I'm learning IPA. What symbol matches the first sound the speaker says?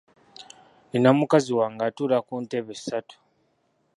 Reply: n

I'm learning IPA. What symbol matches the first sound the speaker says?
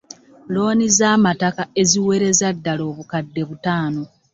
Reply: l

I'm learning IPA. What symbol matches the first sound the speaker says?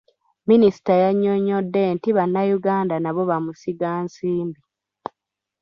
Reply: m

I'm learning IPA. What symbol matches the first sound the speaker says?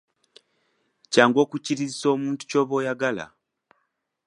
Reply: c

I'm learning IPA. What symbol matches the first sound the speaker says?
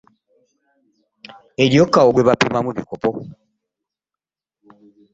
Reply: e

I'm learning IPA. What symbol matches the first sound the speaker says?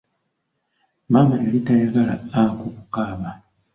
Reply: m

